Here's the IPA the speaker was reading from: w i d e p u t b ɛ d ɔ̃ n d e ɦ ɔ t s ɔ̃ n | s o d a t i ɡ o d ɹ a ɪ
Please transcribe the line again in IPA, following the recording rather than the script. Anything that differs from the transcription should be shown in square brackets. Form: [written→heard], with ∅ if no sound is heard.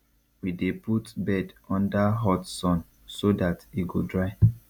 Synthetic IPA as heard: w i d e p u t b ɛ d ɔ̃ n d [e→a] ɦ ɔ t s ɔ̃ n | s o d a t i ɡ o d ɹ a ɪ